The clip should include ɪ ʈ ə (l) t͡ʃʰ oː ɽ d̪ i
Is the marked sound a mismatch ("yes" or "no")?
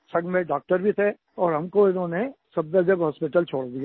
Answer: no